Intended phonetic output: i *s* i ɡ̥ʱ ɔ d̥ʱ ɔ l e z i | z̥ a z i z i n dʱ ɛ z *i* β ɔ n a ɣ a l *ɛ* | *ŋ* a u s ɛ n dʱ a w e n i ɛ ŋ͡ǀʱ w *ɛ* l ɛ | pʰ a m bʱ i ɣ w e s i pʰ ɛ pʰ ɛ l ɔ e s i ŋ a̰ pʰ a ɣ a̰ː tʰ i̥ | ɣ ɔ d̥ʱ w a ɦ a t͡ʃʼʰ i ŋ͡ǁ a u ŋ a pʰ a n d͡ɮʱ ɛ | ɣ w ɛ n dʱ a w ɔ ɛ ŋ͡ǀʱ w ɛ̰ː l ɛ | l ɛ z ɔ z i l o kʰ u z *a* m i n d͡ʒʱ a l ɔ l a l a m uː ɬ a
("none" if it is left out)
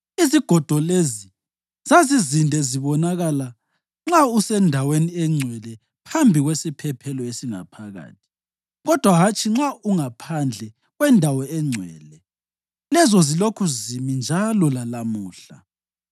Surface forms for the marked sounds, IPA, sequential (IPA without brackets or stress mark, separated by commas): z, i, a, ŋ͡ǁ, ɛ, i